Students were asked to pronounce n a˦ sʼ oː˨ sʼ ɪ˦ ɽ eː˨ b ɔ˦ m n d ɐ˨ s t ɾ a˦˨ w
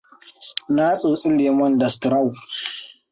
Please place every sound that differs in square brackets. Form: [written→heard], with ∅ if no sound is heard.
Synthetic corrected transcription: n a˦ sʼ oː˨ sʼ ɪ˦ [ɽ→l] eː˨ [b→m] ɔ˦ [m→∅] n d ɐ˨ s t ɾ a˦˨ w